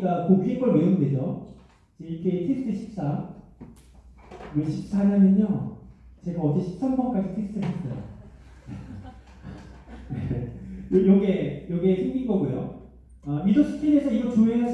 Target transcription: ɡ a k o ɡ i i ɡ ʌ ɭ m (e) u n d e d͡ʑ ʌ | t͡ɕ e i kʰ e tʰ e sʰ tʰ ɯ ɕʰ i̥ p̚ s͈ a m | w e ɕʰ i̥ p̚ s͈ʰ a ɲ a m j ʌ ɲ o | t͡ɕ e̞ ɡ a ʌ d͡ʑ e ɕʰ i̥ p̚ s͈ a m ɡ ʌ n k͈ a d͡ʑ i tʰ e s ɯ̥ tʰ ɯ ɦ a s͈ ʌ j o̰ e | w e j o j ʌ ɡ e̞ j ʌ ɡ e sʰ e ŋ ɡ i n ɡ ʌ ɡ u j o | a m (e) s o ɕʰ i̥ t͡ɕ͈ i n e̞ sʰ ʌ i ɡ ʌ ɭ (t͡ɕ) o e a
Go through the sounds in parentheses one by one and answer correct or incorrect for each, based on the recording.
correct, incorrect, correct

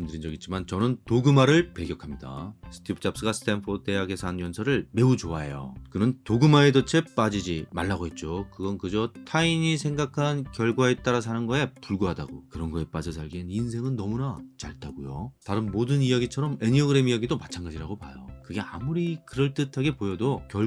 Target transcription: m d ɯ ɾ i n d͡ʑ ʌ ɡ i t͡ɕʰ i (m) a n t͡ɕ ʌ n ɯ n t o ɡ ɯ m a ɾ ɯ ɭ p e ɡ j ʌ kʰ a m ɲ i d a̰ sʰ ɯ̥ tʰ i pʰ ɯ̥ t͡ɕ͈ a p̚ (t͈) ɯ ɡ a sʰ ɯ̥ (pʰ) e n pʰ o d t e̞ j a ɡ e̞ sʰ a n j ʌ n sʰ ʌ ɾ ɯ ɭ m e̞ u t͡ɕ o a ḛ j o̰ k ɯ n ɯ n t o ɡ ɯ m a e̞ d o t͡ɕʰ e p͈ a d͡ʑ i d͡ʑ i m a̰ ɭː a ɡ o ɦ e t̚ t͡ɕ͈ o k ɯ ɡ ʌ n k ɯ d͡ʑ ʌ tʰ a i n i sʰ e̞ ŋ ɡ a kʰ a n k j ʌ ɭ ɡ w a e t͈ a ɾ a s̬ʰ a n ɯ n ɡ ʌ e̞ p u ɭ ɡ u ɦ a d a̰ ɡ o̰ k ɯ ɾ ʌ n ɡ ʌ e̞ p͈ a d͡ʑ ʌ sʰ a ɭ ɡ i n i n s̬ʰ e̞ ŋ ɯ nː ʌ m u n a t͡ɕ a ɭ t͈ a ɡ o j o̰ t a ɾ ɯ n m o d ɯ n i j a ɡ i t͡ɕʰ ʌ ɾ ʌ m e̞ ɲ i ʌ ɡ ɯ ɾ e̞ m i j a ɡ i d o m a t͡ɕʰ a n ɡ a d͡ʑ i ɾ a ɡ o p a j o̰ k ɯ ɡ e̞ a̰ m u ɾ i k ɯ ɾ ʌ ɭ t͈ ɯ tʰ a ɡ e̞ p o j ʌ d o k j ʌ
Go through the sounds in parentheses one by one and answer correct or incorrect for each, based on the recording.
correct, incorrect, incorrect

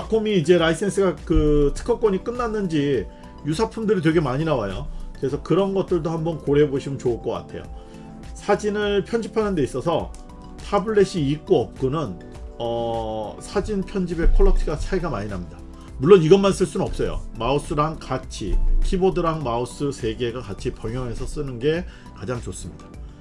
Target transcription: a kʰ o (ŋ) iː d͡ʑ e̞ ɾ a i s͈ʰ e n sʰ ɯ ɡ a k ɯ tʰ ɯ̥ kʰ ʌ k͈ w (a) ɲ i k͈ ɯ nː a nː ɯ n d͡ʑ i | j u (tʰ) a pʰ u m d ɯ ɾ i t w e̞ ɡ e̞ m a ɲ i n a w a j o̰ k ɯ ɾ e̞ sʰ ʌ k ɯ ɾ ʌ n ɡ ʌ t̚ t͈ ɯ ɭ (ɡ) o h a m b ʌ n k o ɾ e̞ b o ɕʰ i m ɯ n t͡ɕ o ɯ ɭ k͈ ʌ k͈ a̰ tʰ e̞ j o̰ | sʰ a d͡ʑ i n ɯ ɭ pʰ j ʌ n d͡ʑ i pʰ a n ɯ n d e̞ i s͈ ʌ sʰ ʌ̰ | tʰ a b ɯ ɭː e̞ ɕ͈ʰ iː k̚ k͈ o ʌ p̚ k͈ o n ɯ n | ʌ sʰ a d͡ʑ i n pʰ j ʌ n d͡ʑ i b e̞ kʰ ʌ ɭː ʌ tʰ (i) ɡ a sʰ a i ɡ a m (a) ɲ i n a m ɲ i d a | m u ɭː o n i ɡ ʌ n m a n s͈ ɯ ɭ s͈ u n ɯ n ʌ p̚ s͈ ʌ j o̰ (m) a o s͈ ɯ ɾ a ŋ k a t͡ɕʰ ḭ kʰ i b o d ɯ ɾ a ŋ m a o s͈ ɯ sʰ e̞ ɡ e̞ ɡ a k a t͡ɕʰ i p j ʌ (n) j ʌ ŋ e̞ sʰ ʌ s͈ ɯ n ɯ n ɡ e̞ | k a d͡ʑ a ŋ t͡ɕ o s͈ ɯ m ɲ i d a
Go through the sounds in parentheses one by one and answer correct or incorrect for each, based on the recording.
incorrect, incorrect, incorrect, incorrect, correct, correct, correct, incorrect

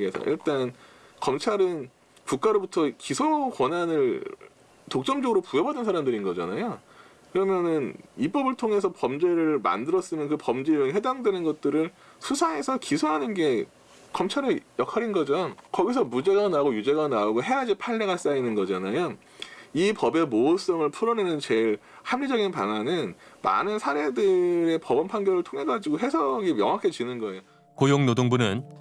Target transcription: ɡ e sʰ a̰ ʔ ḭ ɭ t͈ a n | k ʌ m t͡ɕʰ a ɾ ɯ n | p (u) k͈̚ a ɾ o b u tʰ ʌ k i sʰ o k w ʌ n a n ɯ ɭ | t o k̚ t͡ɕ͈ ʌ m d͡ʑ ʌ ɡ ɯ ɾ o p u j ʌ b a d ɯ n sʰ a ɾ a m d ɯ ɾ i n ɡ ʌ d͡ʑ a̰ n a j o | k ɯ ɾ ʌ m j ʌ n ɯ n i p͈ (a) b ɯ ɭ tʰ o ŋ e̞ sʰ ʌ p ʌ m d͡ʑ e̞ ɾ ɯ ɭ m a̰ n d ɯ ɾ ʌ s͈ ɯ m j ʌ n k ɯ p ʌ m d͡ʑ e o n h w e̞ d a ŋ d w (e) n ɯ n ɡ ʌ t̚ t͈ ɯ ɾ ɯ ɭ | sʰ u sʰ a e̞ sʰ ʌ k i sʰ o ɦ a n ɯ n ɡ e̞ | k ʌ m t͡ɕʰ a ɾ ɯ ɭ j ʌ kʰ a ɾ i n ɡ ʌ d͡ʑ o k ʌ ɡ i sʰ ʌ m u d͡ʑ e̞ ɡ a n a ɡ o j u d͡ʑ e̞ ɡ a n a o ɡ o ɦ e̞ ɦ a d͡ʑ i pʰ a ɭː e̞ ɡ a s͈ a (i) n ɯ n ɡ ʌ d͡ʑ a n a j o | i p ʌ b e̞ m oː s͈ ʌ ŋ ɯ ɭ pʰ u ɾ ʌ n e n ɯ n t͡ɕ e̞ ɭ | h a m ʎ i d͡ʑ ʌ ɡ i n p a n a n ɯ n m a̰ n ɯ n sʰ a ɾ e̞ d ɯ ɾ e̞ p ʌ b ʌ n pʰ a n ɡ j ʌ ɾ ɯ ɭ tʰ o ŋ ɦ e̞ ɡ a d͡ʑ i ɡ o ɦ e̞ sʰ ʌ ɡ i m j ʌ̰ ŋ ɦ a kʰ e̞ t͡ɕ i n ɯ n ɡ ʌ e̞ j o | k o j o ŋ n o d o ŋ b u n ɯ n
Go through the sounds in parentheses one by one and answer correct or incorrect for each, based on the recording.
correct, incorrect, correct, correct

